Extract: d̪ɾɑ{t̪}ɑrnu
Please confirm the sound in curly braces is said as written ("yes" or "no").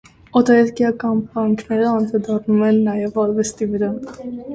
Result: no